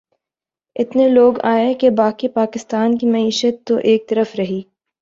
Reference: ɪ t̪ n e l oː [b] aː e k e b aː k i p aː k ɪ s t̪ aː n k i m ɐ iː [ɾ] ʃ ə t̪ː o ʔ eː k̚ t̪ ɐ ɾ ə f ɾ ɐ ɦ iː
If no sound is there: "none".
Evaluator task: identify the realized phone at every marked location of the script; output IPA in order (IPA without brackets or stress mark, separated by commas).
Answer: ɡ, none